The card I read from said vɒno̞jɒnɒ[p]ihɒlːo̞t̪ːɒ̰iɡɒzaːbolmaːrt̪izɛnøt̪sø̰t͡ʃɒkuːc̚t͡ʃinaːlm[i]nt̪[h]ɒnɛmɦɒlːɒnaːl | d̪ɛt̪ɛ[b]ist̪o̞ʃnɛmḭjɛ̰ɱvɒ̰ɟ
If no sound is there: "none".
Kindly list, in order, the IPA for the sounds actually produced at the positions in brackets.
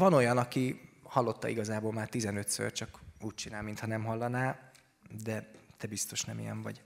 k, i, h, b

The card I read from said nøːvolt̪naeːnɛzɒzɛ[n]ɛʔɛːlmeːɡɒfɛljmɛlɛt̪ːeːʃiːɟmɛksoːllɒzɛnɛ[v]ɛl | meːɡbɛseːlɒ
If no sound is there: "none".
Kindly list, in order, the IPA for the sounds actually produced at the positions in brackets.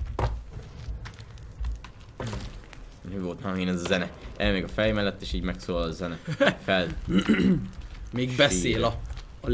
n, f

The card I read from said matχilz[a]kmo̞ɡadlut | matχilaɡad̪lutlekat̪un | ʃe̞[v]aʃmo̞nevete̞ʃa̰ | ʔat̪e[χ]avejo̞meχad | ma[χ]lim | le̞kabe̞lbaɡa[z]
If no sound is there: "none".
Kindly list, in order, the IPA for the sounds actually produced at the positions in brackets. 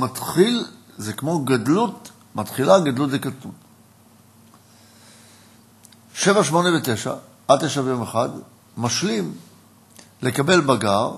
e, v, ʃ, ʃ, ʁ

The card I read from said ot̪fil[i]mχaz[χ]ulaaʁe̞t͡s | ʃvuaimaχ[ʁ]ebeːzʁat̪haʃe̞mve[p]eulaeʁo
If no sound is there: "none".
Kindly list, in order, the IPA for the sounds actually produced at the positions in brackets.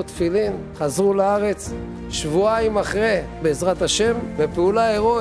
i, ʁ, ʁ, p

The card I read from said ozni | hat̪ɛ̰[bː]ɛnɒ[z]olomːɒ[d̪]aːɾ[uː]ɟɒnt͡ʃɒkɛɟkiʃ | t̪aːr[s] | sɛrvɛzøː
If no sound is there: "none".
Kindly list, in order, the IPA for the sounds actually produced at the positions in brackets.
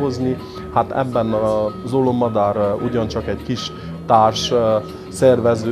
bː, z, d̪, u, ʃ

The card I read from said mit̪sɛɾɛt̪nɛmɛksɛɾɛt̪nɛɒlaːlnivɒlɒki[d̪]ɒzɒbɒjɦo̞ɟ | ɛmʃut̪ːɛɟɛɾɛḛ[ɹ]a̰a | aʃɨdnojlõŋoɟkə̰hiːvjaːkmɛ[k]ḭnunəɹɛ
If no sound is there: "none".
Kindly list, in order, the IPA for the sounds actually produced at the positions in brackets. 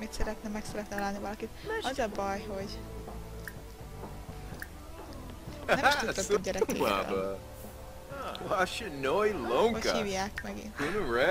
t̪, none, ɡ

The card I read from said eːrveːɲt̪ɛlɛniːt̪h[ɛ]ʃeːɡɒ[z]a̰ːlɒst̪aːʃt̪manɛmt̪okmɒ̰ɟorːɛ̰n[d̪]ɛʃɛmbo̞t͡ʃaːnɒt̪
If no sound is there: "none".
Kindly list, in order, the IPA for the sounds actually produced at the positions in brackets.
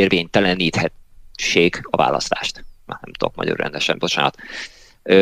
ɛ, v, d̪

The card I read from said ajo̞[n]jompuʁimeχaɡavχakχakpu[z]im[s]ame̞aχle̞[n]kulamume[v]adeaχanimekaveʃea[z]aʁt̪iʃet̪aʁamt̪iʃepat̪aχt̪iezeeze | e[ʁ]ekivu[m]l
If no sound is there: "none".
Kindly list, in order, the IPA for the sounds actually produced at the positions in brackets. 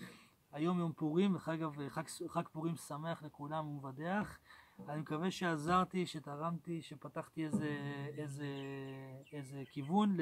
m, ʁ, s, none, v, z, z, n

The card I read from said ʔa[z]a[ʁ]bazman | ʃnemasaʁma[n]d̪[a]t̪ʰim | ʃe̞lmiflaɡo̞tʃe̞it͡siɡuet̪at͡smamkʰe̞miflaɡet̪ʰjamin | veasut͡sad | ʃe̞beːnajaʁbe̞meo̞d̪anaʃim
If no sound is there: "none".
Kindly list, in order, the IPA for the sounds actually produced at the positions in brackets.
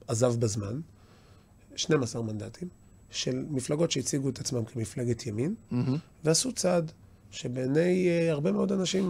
z, v, n, a

